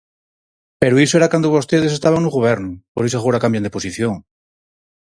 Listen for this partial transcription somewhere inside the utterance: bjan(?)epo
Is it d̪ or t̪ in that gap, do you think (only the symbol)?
d̪